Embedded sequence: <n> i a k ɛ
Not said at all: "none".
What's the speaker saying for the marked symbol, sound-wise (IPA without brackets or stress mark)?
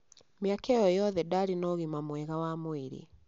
m